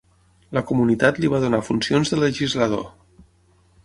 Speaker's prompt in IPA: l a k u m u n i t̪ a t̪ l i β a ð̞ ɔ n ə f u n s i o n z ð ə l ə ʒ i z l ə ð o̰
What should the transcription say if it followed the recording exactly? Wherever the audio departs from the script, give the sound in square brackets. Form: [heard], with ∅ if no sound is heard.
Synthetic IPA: l [ə] k u m u n i t̪ a t̪ l i β a ð̞ [u] n [a] f u n s i o n z ð ə l ə ʒ i z l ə ð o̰